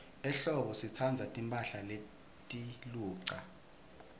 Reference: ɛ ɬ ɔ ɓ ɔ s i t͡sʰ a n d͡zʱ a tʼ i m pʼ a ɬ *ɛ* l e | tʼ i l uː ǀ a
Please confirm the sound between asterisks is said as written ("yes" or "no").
no